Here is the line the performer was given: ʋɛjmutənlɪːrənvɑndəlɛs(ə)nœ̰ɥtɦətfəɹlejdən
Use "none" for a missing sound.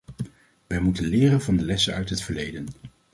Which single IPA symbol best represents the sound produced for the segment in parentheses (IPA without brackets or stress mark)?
ə